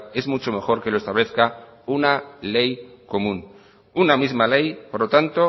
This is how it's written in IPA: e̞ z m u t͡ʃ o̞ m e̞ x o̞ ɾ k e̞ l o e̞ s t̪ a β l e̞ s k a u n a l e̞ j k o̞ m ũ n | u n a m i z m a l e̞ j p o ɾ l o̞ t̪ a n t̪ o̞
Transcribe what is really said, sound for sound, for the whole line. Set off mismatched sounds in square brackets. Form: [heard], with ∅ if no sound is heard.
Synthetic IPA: e̞ z m u t͡ʃ o̞ m e̞ x o̞ ɾ k e̞ l o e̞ s t̪ a β l e̞ [θ] k a u n a l e̞ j k o̞ m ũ n | u n a m i z m a l e̞ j p o ɾ l o̞ t̪ a n t̪ o̞